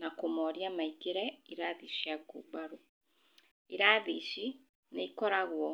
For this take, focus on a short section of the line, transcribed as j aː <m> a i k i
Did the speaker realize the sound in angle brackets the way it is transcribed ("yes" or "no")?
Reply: yes